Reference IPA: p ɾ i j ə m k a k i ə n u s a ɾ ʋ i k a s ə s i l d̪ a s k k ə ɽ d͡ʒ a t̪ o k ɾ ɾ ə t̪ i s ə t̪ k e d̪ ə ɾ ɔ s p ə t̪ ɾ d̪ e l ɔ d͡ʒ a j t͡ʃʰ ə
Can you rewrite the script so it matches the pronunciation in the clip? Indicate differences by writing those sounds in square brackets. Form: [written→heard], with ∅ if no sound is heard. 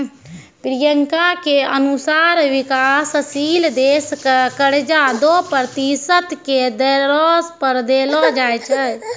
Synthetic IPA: p ɾ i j ə [m→ŋ] k a k [i→e] ə n u s a ɾ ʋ i k a s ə s i l d̪ [a→e] s k k ə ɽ d͡ʒ a [t̪→d̪] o [k→p] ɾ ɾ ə t̪ i s ə t̪ k e d̪ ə ɾ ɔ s p ə [t̪→∅] ɾ d̪ e l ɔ d͡ʒ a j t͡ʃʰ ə